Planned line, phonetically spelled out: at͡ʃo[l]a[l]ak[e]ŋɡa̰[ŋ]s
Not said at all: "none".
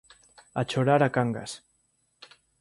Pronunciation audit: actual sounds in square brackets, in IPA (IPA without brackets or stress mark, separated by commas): ɾ, ɾ, a, none